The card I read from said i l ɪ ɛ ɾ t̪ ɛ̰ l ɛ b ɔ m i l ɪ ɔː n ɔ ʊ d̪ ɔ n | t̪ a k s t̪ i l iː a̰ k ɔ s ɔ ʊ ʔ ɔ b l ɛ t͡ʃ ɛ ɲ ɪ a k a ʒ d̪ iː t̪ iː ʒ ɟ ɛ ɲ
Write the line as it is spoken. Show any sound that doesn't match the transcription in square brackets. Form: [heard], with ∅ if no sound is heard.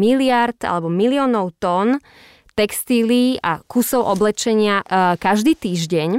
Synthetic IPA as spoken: i l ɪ [a] ɾ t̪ [a̰] l ɛ b ɔ m i l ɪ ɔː n ɔ ʊ [t̪] ɔ n | t̪ [ɛ] k s t̪ i l iː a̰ k [u] s ɔ ʊ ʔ ɔ b l ɛ t͡ʃ ɛ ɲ ɪ a k a ʒ d̪ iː t̪ iː ʒ ɟ ɛ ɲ